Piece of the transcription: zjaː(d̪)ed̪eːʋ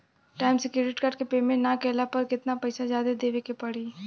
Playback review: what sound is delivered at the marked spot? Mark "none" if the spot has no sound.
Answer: d̪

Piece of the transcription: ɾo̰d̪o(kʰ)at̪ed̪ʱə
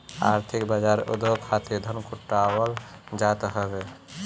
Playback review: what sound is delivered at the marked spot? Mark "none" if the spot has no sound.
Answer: kʰ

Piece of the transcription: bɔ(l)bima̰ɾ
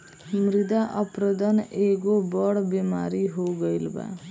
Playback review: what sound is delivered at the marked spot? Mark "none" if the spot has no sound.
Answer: ɽ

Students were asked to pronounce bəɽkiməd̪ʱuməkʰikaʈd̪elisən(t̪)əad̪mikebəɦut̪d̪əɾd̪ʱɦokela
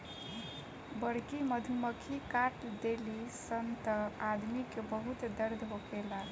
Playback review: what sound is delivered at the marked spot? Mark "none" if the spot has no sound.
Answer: t̪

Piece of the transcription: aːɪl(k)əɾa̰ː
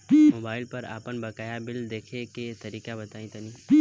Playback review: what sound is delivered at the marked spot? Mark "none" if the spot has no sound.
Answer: p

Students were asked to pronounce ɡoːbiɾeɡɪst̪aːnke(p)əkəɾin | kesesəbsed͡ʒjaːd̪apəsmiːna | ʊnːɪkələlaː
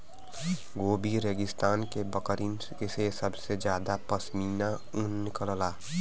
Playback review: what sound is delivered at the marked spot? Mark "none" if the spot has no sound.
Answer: b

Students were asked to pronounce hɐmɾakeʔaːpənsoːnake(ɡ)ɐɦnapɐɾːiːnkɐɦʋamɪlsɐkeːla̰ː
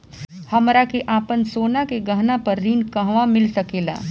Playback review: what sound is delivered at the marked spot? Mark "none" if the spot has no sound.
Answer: ɡ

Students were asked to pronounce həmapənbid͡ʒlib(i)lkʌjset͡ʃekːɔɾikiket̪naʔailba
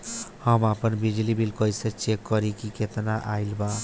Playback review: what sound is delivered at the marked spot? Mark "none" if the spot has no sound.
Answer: i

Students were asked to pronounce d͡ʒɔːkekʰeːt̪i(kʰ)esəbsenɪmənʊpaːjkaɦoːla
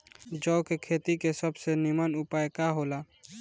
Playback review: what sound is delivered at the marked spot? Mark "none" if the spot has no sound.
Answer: k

